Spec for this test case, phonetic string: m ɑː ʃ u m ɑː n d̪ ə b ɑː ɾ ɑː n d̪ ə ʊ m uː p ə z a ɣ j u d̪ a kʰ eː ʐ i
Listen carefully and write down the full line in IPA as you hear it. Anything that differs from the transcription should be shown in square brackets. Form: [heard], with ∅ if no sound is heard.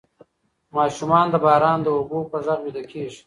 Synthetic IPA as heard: m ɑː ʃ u m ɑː n d̪ ə b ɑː ɾ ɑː n d̪ ə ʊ [b] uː p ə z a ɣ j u d̪ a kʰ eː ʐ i